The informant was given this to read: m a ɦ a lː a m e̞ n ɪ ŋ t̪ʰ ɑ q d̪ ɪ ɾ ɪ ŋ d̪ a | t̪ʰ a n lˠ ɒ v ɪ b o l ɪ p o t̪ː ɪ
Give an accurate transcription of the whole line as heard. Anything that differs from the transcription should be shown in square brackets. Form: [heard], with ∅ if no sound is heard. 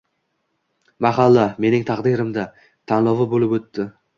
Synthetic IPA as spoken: m a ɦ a lː a m e̞ n ɪ ŋ t̪ʰ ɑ q d̪ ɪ ɾ ɪ [m] d̪ a | t̪ʰ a n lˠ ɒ v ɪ b o l ɪ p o t̪ː ɪ